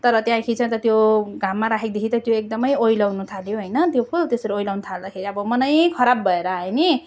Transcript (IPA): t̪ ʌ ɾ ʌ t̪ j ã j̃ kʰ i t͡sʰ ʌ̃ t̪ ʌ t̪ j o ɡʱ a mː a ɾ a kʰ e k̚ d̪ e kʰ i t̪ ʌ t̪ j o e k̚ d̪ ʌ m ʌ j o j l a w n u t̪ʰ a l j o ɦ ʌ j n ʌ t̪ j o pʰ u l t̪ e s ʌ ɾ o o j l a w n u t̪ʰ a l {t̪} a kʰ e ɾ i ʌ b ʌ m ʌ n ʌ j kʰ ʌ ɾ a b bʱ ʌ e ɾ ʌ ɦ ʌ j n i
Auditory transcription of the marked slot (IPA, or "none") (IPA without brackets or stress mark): d̪